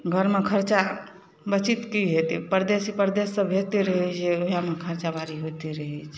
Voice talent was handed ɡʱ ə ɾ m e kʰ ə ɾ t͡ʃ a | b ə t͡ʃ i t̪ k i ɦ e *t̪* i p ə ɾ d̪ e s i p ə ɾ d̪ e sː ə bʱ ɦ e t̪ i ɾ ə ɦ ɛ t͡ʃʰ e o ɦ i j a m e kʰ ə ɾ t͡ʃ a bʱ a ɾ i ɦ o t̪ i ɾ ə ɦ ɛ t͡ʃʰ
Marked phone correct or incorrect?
correct